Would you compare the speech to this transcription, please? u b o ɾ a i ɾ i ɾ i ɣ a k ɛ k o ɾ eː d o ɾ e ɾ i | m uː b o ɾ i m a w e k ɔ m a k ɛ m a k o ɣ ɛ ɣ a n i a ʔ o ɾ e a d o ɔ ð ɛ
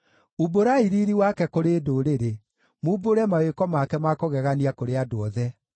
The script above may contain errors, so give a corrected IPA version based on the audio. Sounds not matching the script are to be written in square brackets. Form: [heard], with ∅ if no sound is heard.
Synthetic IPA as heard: u b o ɾ a i ɾ i ɾ i [w] a k ɛ k o ɾ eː d o ɾ e ɾ [e] | m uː b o ɾ [ɛ] m a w e k ɔ m a k ɛ m a k o ɣ ɛ ɣ a n i a [k] o ɾ e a d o ɔ ð ɛ

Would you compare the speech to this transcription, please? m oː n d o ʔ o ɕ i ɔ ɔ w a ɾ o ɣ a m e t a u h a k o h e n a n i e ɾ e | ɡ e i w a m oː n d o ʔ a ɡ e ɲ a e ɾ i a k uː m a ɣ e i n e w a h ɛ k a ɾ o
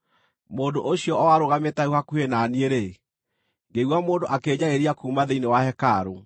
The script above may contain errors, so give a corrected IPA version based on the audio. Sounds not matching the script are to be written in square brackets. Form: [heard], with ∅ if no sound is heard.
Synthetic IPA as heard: m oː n d o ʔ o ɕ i ɔ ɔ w a ɾ o ɣ a m e t a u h a k [u] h e n a n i e ɾ e | ɡ e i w a m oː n d o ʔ a [k] e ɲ a e ɾ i a k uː m a [ð] e i n e w a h ɛ k a ɾ o

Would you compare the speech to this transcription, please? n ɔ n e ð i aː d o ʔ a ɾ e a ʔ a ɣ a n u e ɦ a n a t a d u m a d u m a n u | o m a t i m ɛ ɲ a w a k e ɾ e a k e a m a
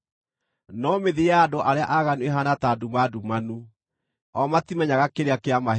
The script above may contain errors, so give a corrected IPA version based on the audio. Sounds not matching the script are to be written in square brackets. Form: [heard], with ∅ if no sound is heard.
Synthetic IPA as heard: n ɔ [m] e ð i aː d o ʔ a ɾ e a ʔ a ɣ a n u e ɦ a n a t a d u m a d u m a n u | [ɔ] m a t i m ɛ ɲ a [ɣ] a k e ɾ e a k e a m a

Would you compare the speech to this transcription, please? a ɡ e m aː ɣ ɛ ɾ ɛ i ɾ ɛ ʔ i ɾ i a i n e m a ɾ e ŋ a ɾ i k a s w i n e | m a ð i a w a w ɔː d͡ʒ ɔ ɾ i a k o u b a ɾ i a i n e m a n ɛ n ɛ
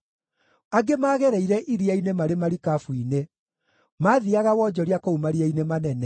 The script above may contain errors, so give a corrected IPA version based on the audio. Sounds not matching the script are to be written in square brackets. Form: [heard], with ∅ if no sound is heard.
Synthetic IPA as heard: a ɡ e m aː ɣ ɛ ɾ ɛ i ɾ ɛ ʔ i ɾ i a i n e m a ɾ e [m] a ɾ i k a [f] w i n e | m a ð i a [ɣ] a w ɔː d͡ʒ ɔ ɾ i a k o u [m] a ɾ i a i n e m a n ɛ n ɛ

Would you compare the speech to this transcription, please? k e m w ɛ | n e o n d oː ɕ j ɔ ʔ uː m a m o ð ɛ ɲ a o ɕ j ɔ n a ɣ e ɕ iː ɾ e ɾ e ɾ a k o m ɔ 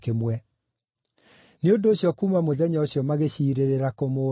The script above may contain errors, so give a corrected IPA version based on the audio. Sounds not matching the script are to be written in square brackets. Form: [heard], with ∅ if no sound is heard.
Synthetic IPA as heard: k e m w ɛ | n e o n d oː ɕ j ɔ [k] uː m a m o ð ɛ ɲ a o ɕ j ɔ [m] a ɣ e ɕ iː ɾ e ɾ e ɾ a k o m [o]

